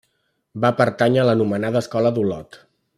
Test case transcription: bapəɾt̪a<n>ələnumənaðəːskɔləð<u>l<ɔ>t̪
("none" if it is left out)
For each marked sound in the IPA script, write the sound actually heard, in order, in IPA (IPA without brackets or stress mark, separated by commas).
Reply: ɲ, u, ɔ